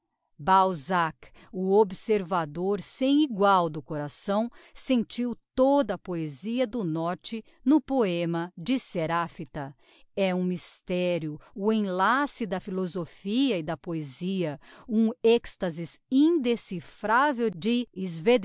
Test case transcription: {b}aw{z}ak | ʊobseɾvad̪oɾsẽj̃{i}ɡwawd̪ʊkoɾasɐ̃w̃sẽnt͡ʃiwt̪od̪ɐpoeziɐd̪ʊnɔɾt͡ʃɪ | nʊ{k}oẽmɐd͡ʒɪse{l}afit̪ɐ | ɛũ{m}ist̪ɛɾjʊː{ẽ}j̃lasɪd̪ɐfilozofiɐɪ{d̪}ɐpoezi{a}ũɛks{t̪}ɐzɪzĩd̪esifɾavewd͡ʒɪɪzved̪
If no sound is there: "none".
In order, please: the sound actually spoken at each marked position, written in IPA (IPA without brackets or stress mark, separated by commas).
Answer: b, z, i, p, ɾ, m, ẽ, d̪, ɐ, t̪